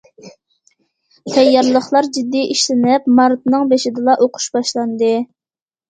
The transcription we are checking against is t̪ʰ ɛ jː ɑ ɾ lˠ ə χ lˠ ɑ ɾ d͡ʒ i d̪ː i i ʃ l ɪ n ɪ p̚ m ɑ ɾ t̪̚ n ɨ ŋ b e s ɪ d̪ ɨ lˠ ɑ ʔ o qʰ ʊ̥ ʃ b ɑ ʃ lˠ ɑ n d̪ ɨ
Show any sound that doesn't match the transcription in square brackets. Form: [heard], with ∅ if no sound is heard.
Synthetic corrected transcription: t̪ʰ ɛ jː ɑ ɾ lˠ ə χ lˠ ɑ ɾ d͡ʒ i d̪ː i i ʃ l ɪ n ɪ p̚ m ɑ ɾ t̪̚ n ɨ ŋ b e [ʃ] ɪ d̪ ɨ lˠ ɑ ʔ o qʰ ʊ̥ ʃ b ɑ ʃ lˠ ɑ n d̪ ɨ